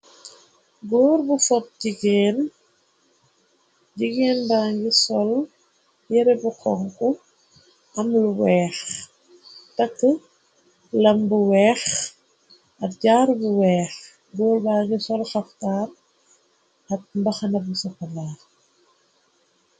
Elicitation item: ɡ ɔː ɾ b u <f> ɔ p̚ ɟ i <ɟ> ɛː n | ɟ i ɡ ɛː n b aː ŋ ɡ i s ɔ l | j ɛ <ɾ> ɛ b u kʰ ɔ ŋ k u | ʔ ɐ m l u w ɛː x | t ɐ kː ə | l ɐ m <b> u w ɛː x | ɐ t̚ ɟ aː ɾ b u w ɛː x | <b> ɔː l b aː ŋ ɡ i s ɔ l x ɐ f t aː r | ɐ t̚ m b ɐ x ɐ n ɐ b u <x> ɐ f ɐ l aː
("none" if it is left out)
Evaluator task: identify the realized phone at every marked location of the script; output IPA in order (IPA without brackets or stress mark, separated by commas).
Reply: f, ɡ, ɾ, b, ɡ, s